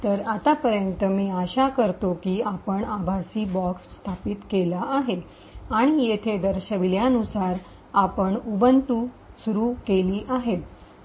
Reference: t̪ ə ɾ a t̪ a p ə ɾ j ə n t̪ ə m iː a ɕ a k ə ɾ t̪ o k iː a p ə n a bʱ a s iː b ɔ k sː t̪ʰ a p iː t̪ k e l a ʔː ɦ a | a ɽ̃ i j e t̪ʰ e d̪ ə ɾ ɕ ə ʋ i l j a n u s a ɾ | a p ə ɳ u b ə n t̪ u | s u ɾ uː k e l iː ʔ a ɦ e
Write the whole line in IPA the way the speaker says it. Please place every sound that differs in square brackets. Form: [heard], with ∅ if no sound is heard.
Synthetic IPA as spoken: t̪ ə ɾ a t̪ a p ə ɾ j ə n t̪ ə m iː a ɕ a k ə ɾ t̪ o k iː a p ə [ɳ] a bʱ a s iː b ɔ k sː t̪ʰ a p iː t̪ k e l a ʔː ɦ [e] | a ɽ̃ i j e t̪ʰ e d̪ ə ɾ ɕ ə ʋ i l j a n u s a ɾ | a p ə ɳ u b ə n t̪ u | s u ɾ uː k e l iː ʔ a ɦ e

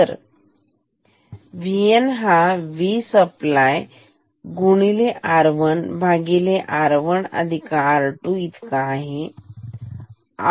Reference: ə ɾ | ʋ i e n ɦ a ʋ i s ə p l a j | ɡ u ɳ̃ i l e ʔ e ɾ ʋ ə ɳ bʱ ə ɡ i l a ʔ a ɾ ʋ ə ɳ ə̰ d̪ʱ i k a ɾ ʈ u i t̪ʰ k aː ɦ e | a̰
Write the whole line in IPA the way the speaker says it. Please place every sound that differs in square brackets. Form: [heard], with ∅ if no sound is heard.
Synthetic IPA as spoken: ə ɾ | ʋ i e n ɦ a ʋ i s ə p l a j | ɡ u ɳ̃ i l e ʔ [a] ɾ ʋ ə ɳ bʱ [a] ɡ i l [e] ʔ a ɾ ʋ ə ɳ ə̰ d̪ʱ i k a ɾ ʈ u i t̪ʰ k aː ɦ e | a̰

